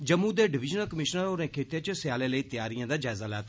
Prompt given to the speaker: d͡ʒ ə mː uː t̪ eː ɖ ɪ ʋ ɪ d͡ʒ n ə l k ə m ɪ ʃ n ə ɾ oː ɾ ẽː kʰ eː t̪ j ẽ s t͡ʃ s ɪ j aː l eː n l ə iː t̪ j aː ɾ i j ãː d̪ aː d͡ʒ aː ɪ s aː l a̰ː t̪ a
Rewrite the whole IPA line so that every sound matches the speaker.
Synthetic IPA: d͡ʒ ə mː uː d̪ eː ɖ ɪ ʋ ɪ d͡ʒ n ə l k ə m ɪ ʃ n ə ɾ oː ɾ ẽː kʰ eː t̪ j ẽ t͡ʃ s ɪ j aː l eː l ə iː t̪ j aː ɾ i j ãː d̪ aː d͡ʒ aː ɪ z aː l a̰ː t̪ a